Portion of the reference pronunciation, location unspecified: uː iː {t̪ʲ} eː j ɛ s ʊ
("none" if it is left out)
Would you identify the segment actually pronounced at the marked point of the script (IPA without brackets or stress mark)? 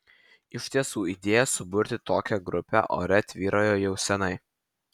d̪ʲ